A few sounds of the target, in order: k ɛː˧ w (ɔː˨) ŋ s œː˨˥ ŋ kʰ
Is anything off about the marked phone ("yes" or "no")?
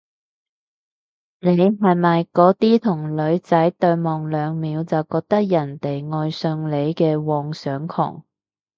no